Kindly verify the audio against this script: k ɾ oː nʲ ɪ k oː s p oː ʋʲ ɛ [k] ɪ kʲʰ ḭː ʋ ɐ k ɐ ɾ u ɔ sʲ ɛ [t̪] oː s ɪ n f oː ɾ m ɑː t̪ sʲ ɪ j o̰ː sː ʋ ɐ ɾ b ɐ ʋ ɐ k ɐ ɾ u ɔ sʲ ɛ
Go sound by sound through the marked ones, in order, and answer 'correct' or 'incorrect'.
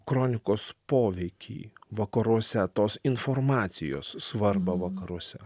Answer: incorrect, correct

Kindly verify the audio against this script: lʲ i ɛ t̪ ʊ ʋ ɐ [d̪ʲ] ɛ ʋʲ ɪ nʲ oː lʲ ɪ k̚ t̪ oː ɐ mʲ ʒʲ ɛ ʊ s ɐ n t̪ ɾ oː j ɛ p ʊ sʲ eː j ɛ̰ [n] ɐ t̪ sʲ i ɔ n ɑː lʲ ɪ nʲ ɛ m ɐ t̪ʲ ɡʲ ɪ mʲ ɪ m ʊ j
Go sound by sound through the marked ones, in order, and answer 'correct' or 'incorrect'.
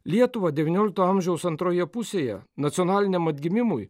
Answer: correct, correct

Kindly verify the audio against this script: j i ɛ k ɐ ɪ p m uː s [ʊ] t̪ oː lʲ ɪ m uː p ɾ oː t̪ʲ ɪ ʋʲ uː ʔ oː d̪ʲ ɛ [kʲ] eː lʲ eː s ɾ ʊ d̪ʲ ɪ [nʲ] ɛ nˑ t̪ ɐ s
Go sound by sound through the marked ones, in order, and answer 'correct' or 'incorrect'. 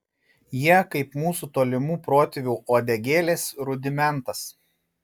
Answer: incorrect, incorrect, incorrect

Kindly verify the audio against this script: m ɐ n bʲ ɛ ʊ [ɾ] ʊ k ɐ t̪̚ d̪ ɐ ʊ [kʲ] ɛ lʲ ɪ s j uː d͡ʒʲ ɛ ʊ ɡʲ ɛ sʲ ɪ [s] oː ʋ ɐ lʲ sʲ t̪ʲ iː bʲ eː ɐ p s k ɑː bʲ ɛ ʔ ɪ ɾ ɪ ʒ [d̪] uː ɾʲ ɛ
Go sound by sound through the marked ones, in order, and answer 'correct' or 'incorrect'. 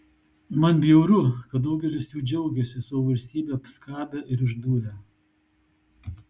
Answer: correct, incorrect, correct, correct

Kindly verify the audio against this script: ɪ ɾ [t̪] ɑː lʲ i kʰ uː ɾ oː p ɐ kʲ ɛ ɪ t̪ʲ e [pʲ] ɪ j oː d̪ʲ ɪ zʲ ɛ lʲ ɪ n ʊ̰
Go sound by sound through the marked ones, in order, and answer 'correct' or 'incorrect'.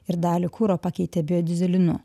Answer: incorrect, incorrect

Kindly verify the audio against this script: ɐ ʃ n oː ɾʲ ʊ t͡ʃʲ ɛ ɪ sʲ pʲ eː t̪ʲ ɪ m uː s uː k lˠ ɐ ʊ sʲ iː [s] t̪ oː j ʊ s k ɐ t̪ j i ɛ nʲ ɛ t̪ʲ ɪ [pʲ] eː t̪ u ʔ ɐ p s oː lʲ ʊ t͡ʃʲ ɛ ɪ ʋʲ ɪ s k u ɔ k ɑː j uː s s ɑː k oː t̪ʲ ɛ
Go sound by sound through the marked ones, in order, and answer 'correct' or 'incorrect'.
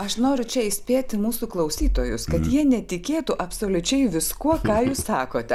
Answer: incorrect, incorrect

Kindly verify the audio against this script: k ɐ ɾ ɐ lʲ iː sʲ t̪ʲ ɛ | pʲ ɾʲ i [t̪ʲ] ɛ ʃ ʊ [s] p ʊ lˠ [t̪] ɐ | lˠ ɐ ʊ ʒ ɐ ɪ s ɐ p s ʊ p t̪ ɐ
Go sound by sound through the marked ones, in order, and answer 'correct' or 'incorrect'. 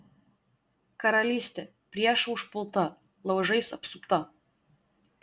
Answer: incorrect, incorrect, correct

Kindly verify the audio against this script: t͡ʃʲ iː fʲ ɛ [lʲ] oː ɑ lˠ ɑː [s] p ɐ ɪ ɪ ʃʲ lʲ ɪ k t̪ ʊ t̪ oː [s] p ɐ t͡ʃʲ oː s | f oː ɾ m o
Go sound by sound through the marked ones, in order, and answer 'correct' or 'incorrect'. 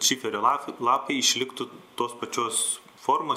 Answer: incorrect, incorrect, correct

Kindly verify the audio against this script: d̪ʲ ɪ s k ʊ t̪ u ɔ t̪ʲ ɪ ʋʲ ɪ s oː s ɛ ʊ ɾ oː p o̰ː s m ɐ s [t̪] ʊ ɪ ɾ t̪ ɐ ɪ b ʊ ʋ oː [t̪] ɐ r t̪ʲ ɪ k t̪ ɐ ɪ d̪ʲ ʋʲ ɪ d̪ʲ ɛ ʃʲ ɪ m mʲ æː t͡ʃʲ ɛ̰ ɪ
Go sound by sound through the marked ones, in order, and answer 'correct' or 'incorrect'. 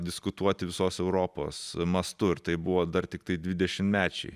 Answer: correct, incorrect

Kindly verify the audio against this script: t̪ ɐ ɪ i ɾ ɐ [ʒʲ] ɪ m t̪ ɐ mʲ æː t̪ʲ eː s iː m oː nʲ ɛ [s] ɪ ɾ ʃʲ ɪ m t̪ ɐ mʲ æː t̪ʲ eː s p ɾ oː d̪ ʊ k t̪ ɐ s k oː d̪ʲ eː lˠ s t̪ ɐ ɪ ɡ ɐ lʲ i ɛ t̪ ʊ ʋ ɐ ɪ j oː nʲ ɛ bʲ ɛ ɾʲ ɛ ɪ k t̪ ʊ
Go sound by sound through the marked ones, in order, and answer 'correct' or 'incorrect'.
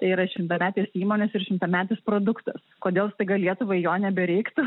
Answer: incorrect, correct

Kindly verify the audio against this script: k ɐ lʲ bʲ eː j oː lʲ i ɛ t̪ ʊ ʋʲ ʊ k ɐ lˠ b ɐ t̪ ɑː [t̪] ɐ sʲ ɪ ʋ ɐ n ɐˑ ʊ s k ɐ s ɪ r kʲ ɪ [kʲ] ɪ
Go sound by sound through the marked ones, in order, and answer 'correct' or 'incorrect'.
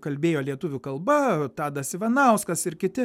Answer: incorrect, incorrect

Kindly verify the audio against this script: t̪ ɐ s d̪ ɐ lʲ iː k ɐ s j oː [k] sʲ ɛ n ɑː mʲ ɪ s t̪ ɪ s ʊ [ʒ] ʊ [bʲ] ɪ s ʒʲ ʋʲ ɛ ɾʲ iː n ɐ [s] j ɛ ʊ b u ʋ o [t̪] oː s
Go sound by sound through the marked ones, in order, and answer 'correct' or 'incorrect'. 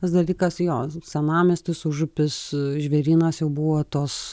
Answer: incorrect, correct, incorrect, correct, correct

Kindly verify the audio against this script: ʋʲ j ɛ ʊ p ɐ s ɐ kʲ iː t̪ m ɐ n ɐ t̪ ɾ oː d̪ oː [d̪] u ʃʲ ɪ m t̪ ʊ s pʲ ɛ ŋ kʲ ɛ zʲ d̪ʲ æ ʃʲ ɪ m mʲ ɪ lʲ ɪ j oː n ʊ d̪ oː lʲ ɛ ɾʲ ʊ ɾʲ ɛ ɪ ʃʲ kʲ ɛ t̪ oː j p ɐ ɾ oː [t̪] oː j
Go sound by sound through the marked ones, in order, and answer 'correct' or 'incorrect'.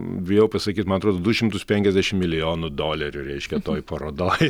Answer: correct, incorrect

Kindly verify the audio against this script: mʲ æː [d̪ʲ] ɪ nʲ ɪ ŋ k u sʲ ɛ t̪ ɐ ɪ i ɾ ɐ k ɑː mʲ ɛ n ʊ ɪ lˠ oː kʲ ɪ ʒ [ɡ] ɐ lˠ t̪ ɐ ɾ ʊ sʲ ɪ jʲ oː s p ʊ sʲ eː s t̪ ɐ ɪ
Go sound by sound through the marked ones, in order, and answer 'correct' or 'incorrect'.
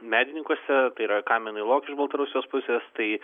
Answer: correct, incorrect

